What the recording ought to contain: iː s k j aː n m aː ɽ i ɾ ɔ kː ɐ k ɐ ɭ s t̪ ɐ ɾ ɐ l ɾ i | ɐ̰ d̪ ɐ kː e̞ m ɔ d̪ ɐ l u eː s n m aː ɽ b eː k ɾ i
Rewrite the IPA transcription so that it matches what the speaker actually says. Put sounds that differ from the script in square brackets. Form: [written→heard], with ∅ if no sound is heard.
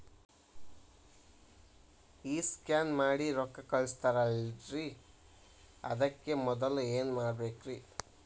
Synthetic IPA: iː s k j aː n m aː ɽ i ɾ ɔ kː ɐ k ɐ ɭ s t̪ ɐ ɾ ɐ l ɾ i | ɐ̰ d̪ ɐ kː e̞ m ɔ d̪ ɐ l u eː [s→∅] n m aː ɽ b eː k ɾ i

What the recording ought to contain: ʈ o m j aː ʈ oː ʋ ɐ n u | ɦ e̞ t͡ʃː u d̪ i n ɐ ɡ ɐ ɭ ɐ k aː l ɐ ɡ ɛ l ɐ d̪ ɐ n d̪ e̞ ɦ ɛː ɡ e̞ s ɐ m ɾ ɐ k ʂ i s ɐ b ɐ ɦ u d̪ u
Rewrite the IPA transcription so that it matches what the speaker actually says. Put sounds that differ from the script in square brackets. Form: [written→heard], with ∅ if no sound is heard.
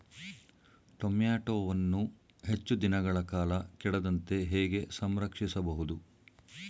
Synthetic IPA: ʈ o m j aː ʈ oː ʋ ɐ [n→nː] u | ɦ e̞ t͡ʃː u d̪ i n ɐ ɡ ɐ ɭ ɐ k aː l ɐ [ɡ→k] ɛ [l→ɽ] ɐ d̪ ɐ n [d̪→t̪] e̞ ɦ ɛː ɡ e̞ s ɐ m ɾ ɐ k ʂ i s ɐ b ɐ ɦ u d̪ u

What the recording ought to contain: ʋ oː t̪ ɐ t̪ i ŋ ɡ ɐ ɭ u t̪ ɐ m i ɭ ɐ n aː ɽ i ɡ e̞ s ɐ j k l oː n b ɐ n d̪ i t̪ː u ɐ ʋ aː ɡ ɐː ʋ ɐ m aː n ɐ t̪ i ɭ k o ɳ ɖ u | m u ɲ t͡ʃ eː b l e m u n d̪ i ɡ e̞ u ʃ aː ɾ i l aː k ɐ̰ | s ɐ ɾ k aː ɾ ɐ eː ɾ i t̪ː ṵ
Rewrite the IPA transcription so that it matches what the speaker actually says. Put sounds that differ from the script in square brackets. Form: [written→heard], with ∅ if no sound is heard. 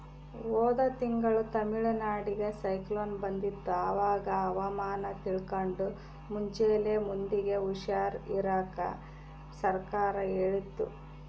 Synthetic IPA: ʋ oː [t̪→d̪] ɐ t̪ i ŋ ɡ ɐ ɭ u t̪ ɐ m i ɭ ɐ n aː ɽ i ɡ e̞ s ɐ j k l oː n b ɐ n d̪ i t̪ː u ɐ ʋ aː ɡ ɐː ʋ ɐ m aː n ɐ t̪ i ɭ k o ɳ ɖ u | m u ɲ t͡ʃ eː [b→∅] l e m u n d̪ i ɡ e̞ u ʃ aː ɾ i [l→ɾ] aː k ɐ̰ | s ɐ ɾ k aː ɾ ɐ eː [ɾ→ɭ] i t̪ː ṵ

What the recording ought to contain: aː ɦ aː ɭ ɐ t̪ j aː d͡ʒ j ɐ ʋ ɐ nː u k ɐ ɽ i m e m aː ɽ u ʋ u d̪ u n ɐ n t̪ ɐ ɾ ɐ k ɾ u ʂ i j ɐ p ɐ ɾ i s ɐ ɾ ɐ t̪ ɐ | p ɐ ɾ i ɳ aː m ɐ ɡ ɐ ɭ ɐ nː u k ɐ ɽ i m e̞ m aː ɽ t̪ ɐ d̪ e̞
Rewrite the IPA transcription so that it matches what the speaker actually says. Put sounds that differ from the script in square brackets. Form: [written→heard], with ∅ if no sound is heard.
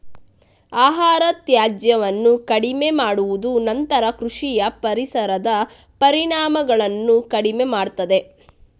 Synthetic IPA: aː ɦ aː [ɭ→ɾ] ɐ t̪ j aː d͡ʒ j ɐ ʋ ɐ nː u k ɐ ɽ i m e m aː ɽ u ʋ u d̪ u n ɐ n t̪ ɐ ɾ ɐ k ɾ u ʂ i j ɐ p ɐ ɾ i s ɐ ɾ ɐ [t̪→d̪] ɐ | p ɐ ɾ i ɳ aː m ɐ ɡ ɐ ɭ ɐ nː u k ɐ ɽ i m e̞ m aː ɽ t̪ ɐ d̪ e̞

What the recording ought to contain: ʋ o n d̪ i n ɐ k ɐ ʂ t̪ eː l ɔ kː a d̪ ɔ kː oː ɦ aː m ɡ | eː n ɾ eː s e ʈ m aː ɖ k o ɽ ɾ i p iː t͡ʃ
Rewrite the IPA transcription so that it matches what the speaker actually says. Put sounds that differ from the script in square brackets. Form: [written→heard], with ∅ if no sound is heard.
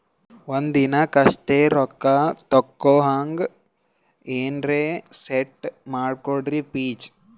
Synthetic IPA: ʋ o n d̪ i n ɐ k ɐ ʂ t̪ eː [l→ɾ] ɔ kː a [d̪→t̪] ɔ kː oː ɦ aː [m→ŋ] ɡ | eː n ɾ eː s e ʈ m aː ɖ k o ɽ ɾ i p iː t͡ʃ

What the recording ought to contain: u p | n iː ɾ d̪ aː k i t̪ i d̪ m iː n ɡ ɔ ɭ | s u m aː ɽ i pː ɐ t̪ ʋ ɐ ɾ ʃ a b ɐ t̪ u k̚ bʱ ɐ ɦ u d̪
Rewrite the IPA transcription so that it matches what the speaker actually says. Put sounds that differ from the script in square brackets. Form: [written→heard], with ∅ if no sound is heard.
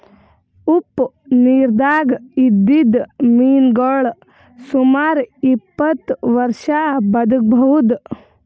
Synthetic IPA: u p | n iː ɾ d̪ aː [k→ɡ] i [t̪→d̪] i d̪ m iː n ɡ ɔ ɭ | s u m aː [ɽ→ɾ] i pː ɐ t̪ ʋ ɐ ɾ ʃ a b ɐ [t̪→d̪] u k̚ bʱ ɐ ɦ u d̪

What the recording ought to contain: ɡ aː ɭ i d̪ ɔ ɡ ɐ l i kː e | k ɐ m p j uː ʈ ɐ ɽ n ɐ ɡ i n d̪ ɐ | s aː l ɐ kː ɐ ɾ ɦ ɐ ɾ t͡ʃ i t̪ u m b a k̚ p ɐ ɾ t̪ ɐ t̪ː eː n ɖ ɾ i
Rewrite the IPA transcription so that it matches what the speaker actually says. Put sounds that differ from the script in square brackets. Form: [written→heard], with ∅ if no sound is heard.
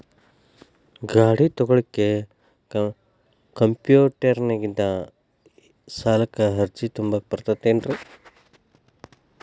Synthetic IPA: ɡ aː [ɭ→ɽ] i [d̪→t̪] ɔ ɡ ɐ [l→ɭ] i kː e | k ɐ m p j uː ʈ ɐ [ɽ→ɾ] n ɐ ɡ i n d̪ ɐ | s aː l ɐ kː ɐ [ɾ→∅] ɦ ɐ ɾ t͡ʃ i t̪ u m b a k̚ p ɐ ɾ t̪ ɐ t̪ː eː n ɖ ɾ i

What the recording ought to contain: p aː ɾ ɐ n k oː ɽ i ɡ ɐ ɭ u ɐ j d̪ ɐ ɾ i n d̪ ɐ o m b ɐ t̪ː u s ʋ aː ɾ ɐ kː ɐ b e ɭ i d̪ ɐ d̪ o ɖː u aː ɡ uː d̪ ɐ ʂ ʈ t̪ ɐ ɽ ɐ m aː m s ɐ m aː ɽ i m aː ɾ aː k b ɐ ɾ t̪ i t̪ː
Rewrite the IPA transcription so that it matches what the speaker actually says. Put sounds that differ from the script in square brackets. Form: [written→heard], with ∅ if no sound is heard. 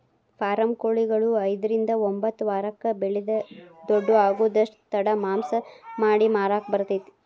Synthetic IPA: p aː ɾ ɐ [n→m] k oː [ɽ→ɭ] i ɡ ɐ ɭ u ɐ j d̪ ɐ ɾ i n d̪ ɐ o m b ɐ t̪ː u [s→∅] ʋ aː ɾ ɐ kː ɐ b e ɭ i d̪ ɐ d̪ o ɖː u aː ɡ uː d̪ ɐ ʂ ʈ t̪ ɐ ɽ ɐ m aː m s ɐ m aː ɽ i m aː ɾ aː k b ɐ ɾ t̪ i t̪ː

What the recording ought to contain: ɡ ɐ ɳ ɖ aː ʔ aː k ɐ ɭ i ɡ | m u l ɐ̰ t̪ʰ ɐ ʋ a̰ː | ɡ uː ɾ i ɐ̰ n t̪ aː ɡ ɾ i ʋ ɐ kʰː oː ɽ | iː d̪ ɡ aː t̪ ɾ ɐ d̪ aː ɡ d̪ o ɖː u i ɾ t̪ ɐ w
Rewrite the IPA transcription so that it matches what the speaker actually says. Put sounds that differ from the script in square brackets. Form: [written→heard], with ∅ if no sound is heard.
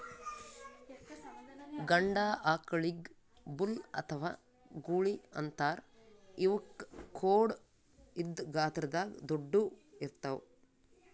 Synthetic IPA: ɡ ɐ ɳ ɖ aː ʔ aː k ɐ ɭ i ɡ | [m→b] u l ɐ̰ t̪ʰ ɐ ʋ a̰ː | ɡ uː [ɾ→ɭ] i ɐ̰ n t̪ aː [ɡ→∅] ɾ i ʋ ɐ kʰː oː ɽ | [iː→i] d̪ ɡ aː t̪ ɾ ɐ d̪ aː ɡ d̪ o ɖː u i ɾ t̪ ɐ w

